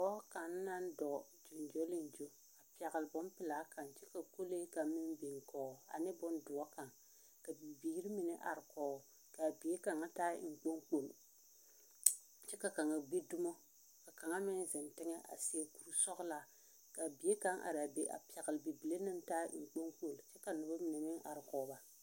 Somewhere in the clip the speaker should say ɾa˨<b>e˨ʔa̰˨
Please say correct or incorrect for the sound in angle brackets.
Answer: correct